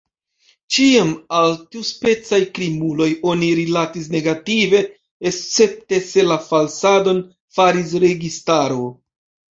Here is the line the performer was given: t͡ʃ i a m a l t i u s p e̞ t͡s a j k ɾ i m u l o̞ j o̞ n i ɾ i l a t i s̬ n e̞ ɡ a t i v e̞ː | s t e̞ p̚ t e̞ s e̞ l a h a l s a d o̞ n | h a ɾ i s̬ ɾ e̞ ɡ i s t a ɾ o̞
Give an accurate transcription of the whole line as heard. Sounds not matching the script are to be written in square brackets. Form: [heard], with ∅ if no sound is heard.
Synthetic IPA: t͡ʃ i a m a l t i u s p e̞ t͡s a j k ɾ i m u l o̞ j o̞ n i ɾ i l a t i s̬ n e̞ ɡ a t i v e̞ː | s [t͡s] e̞ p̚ t e̞ s e̞ l a [f] a l s a d o̞ n | [f] a ɾ i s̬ ɾ e̞ ɡ i s t a ɾ o̞